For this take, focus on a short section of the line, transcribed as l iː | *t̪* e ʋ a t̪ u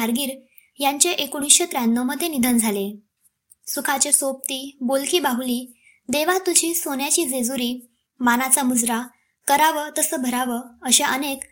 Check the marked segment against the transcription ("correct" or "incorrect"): incorrect